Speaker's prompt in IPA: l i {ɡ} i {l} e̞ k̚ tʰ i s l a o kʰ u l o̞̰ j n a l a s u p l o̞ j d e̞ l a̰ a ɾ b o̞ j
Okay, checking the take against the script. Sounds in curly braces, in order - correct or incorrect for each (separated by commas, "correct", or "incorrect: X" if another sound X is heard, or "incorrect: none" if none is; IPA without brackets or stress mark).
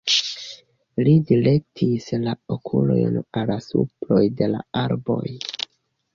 incorrect: d, correct